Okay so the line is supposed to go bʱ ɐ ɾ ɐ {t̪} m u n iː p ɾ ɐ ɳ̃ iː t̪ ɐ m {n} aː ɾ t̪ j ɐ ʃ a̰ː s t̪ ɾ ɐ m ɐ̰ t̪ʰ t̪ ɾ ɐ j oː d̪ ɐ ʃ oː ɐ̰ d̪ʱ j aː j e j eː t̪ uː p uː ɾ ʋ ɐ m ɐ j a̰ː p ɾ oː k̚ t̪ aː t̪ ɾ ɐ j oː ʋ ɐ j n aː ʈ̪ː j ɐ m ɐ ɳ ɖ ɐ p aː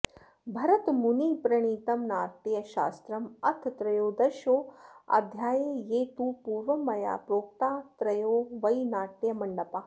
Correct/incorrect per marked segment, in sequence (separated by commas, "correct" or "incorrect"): correct, correct